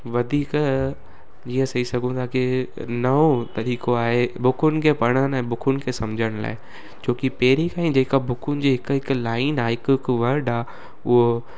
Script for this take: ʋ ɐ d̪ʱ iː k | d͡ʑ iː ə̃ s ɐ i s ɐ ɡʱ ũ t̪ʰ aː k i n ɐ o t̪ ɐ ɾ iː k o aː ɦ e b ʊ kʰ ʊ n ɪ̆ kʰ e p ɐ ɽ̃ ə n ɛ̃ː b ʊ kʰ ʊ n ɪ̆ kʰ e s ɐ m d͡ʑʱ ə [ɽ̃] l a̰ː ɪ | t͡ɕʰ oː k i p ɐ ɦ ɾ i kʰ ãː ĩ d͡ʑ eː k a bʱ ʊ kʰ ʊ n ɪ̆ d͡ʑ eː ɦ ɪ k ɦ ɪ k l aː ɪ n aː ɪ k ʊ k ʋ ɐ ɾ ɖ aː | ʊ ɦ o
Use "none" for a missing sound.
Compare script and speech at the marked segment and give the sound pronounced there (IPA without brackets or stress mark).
ɽ̃